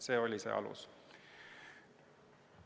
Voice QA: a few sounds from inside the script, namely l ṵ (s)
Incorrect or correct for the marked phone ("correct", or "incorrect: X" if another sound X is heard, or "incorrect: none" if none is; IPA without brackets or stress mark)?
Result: correct